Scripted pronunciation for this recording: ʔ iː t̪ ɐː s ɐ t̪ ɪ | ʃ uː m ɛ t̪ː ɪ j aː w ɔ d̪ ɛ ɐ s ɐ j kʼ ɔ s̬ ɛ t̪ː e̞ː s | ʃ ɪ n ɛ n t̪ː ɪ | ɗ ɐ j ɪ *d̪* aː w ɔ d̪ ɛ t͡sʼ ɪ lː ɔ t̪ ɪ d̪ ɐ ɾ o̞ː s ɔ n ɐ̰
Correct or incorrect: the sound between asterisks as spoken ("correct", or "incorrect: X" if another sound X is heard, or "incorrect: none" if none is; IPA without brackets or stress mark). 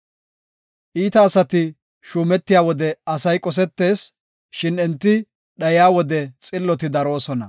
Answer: incorrect: none